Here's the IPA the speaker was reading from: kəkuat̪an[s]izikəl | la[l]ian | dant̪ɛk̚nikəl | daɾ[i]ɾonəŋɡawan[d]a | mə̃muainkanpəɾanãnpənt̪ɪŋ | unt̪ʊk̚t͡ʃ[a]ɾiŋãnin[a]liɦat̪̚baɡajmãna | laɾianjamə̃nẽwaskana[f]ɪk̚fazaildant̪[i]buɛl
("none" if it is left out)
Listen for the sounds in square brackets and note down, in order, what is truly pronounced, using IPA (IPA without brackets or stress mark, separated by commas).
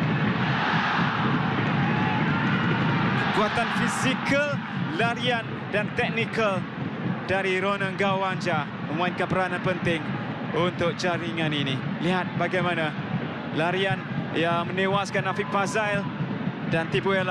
f, ɾ, i, d͡ʒ, a, i, f, i